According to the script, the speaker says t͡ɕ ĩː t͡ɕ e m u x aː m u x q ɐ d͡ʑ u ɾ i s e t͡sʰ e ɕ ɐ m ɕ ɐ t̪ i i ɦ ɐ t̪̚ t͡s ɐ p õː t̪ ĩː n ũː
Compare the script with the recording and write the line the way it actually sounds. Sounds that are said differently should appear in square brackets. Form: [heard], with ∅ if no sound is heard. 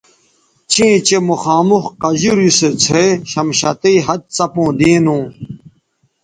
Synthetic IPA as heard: t͡ɕ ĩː t͡ɕ e m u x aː m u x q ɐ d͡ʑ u ɾ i s e t͡sʰ e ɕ ɐ m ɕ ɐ t̪ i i ɦ ɐ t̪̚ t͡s ɐ p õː [d̪] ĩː n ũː